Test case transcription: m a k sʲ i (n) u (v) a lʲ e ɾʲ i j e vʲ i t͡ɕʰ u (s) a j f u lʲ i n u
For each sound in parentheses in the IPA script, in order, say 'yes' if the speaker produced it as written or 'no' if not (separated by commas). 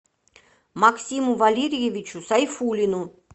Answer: no, yes, yes